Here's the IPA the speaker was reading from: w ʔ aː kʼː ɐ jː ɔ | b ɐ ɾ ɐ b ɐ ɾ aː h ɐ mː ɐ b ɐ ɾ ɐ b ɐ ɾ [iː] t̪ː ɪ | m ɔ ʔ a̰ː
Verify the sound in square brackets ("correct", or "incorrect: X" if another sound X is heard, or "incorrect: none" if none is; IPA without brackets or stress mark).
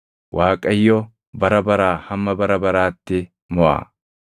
incorrect: aː